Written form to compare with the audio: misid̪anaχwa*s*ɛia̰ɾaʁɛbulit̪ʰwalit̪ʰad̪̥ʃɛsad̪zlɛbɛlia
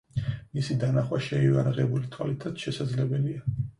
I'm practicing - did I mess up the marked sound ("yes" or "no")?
yes